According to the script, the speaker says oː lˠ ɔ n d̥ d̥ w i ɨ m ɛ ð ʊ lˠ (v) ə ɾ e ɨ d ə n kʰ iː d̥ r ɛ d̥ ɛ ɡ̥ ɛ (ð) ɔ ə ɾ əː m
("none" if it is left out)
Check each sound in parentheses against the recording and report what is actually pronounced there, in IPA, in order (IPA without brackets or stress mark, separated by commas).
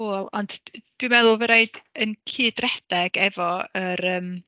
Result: v, v